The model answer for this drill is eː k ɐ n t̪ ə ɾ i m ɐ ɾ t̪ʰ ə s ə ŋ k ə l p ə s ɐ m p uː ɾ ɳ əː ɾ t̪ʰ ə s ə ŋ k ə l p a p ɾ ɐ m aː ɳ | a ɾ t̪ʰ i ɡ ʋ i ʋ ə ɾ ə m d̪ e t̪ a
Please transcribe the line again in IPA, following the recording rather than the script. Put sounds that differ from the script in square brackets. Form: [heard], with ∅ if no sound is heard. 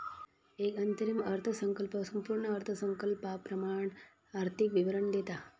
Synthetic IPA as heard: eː k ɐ n t̪ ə ɾ i m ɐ ɾ t̪ʰ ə s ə ŋ k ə l p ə s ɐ m p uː ɾ ɳ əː ɾ t̪ʰ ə s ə ŋ k ə l p a p ɾ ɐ m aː ɳ | a ɾ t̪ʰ i [k] ʋ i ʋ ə ɾ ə [ɳ] d̪ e t̪ a

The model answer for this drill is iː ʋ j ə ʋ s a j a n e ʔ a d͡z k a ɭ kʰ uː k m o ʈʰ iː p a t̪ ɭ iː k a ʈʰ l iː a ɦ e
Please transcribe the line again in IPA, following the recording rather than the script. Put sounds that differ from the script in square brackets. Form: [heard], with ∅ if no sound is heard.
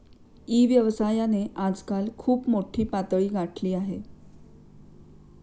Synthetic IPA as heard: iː ʋ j ə ʋ s a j a n e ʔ a d͡z k a [l] kʰ uː [p] m o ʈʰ iː p a t̪ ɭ iː [ɡ] a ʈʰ l iː a ɦ e

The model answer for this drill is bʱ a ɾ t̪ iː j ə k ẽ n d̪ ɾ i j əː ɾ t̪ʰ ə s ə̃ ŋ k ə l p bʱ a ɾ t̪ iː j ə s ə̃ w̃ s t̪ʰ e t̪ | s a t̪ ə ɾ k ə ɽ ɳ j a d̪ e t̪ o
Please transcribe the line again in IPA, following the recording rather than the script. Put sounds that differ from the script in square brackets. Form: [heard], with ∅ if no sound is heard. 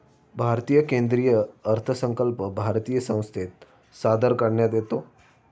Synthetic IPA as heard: bʱ a ɾ t̪ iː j ə k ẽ n d̪ ɾ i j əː ɾ t̪ʰ ə s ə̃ ŋ k ə l p bʱ a ɾ t̪ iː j ə s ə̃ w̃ s t̪ʰ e t̪ | s a [d̪] ə ɾ k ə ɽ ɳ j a d̪ e t̪ o

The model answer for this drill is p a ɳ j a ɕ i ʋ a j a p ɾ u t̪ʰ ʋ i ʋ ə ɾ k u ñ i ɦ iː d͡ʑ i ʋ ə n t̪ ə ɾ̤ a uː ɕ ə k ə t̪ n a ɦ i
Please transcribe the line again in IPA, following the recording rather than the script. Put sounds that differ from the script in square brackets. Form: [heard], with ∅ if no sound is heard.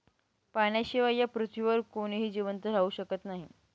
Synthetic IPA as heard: p a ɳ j a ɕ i ʋ a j a p ɾ u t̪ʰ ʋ i ʋ ə ɾ k [o] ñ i ɦ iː d͡ʑ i ʋ ə n t̪ ə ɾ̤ a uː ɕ ə k ə t̪ n a ɦ i

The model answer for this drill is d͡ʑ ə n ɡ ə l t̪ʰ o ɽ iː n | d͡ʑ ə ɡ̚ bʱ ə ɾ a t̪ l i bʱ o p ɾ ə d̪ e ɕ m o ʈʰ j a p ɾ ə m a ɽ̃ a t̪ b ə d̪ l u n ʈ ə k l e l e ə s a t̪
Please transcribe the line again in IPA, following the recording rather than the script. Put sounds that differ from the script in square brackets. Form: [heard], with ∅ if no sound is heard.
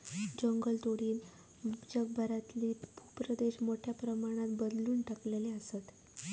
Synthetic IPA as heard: d͡ʑ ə [ŋ] ɡ ə l [t̪] o ɽ iː n | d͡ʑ ə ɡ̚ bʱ ə ɾ a t̪ l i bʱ [u] p ɾ ə d̪ e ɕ m o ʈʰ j a p ɾ ə m a ɽ̃ a t̪ b ə d̪ l [uː] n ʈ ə k l e l e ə s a t̪

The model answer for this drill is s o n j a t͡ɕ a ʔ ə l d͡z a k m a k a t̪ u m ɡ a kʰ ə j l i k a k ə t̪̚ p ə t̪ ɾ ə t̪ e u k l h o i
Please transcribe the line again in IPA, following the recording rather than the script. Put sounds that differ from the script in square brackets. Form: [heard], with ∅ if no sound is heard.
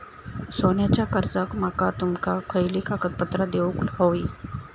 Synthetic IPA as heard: s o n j a t͡ɕ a [k] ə [ɾ] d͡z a k m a k a t̪ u m [k] a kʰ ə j l i k a k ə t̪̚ p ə t̪ ɾ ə [d̪] e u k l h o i

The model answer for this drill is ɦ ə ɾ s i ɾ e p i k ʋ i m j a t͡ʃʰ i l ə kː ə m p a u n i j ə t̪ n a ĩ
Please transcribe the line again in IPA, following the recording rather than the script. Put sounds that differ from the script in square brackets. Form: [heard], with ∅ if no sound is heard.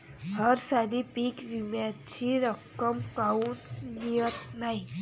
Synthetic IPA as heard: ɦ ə ɾ s [a] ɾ [i] p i k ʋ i m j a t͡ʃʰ i [ɾ] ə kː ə m [k] a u n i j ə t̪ n a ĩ

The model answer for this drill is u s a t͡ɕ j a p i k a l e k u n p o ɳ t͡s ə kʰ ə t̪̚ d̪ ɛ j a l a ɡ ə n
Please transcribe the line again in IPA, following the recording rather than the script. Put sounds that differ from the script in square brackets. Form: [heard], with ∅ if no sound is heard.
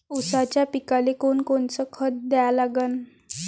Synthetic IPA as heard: u s a t͡ɕ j a p i k a l e k [o] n [k] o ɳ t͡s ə kʰ ə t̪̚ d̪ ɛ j a l a ɡ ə n

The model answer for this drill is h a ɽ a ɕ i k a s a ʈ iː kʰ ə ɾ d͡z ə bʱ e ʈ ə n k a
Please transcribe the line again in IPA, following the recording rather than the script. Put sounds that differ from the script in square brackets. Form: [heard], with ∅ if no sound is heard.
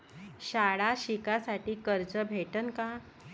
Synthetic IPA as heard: [ɕ] a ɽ a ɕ i k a s a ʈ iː [k] ə ɾ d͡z ə bʱ e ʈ ə n k a

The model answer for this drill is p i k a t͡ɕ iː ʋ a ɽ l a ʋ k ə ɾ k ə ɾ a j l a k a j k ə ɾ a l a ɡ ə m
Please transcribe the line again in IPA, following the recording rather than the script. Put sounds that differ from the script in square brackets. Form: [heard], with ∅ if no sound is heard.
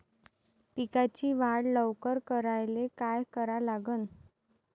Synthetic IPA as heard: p i k a t͡ɕ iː ʋ a ɽ l [ə] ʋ k ə ɾ k ə ɾ a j l [e] k a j k ə ɾ a l a ɡ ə [n]

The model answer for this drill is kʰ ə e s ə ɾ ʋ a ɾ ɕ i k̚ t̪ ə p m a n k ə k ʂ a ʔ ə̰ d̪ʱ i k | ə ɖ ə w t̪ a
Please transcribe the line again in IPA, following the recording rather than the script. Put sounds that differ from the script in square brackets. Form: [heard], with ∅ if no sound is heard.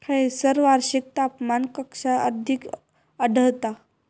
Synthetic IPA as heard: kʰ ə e s ə ɾ ʋ a ɾ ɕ i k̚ t̪ [a] p m a n k ə k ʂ a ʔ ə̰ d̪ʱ i k | ə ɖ ə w t̪ a

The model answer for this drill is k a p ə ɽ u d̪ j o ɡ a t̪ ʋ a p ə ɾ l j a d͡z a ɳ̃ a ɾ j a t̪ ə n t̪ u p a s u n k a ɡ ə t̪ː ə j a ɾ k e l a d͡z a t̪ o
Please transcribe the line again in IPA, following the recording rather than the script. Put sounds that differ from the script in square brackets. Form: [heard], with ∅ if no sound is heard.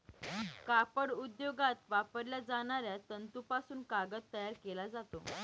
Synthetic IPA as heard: k a p ə ɽ u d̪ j o ɡ a t̪ ʋ a p ə ɾ l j a d͡z a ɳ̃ a ɾ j a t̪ ə n t̪ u p a s [uː] n k a ɡ ə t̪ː ə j a ɾ k e l a d͡z a t̪ o

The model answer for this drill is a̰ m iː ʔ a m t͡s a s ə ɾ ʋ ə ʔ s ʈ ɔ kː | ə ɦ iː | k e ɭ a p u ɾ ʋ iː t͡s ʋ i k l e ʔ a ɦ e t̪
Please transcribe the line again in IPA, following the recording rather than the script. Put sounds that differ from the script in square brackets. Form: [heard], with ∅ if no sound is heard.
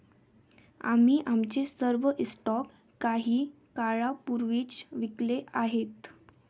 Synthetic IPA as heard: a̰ m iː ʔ a m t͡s [e] s ə ɾ ʋ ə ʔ s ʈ ɔ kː | [a] ɦ iː | k [a] ɭ a p u ɾ ʋ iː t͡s ʋ i k l e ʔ a ɦ e t̪

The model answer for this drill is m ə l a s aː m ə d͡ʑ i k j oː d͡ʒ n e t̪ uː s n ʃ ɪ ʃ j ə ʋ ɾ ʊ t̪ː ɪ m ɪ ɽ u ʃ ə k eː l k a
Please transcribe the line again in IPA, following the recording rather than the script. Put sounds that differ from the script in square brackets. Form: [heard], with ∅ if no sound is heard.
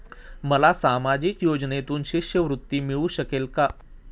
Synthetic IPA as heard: m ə l a s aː m [a] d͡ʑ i k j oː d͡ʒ n e t̪ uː [∅] n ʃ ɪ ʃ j ə ʋ ɾ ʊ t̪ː [i] m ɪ [ɭ] u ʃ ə k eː l k a

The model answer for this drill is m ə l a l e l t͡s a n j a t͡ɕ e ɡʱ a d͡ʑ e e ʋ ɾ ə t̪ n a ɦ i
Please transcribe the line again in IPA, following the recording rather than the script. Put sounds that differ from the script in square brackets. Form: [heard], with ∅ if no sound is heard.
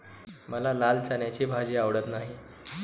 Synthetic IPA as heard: m ə l a l [a] l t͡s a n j a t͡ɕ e [bʱ] a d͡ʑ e [a] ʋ [ɽ] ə t̪ n a ɦ i

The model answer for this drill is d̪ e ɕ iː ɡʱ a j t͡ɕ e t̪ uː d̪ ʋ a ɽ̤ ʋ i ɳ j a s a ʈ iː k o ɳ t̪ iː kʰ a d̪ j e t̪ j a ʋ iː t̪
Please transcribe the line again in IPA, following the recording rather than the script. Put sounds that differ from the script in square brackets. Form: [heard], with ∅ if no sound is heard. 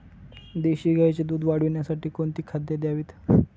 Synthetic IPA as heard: d̪ e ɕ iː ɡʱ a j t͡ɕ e [d̪] uː d̪ ʋ a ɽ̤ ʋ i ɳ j a s a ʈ iː k o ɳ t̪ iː kʰ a d̪ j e [d̪] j a ʋ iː t̪

